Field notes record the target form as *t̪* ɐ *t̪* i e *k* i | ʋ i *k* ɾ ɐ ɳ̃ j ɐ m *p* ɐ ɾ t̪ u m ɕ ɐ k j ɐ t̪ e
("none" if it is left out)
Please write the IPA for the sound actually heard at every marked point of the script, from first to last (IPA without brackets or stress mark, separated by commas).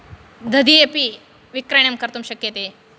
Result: d̪, d̪, p, k, k